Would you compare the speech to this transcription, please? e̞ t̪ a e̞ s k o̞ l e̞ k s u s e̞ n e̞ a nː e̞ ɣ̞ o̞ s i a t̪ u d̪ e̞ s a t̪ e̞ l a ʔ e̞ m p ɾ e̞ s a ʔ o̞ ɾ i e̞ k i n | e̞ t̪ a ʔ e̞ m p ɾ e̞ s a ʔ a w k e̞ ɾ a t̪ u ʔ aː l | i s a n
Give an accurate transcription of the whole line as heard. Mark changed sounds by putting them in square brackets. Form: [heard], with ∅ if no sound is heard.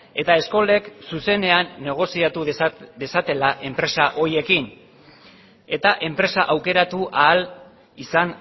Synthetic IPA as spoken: e̞ t̪ a e̞ s k o̞ l e̞ k s u s e̞ n e̞ a nː e̞ ɣ̞ o̞ s i a t̪ u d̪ e̞ s a t̪ e̞ l a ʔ e̞ m p ɾ e̞ s a ʔ o̞ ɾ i e̞ k i n | e̞ t̪ a ʔ e̞ m p ɾ e̞ s a ʔ a w k e̞ ɾ a t̪ u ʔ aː l | i s a n